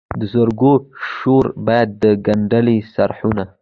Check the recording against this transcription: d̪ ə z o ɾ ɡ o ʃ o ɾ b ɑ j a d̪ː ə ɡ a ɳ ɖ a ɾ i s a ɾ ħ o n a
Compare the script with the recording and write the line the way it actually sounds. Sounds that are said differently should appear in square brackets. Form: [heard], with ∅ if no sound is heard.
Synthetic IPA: d̪ ə z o ɾ ɡ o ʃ o ɾ b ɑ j a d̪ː ə ɡ a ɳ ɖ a [l] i s a ɾ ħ [u] n a